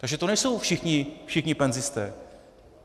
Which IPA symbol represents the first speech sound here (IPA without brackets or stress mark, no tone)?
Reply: t̪